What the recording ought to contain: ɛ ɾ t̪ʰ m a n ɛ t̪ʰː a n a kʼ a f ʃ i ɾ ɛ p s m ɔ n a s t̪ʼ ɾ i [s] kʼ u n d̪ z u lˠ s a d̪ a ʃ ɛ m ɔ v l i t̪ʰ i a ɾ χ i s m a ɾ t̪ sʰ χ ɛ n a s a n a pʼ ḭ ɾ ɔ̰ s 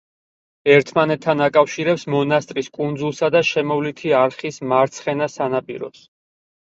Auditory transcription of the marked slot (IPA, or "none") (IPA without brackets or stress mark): s